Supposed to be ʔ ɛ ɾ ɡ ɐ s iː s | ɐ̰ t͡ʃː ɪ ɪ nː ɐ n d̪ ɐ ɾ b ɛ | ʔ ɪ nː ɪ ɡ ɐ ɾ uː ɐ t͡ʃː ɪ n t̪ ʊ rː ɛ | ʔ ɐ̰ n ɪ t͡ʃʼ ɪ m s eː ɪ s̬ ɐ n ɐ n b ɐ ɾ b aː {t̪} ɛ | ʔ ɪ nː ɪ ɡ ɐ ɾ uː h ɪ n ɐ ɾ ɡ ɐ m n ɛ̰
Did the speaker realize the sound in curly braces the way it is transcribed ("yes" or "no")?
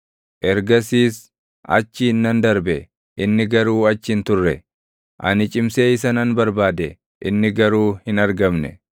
no